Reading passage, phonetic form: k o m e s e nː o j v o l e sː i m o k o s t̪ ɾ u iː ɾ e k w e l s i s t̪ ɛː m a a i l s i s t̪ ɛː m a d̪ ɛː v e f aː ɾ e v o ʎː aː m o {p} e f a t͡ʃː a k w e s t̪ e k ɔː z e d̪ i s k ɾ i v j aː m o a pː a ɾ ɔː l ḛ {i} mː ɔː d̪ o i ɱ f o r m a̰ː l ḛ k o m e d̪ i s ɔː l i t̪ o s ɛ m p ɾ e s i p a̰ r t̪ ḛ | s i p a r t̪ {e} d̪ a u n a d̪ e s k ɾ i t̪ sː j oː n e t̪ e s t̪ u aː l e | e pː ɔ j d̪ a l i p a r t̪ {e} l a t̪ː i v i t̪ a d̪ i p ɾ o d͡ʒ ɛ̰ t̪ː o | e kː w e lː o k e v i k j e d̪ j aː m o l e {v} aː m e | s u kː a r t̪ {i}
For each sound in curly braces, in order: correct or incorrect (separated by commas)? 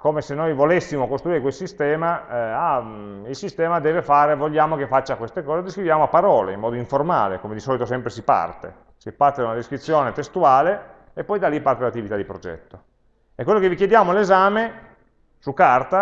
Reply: incorrect, correct, correct, correct, incorrect, incorrect